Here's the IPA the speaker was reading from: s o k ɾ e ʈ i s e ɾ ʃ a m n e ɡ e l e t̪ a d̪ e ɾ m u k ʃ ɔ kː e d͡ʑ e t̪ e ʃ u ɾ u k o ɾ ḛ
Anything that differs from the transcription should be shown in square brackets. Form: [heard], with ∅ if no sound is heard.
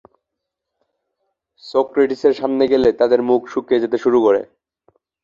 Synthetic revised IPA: s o k ɾ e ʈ i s e ɾ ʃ a m n e ɡ e l e t̪ a d̪ e ɾ m u k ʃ [u] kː e d͡ʑ e t̪ e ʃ u ɾ u k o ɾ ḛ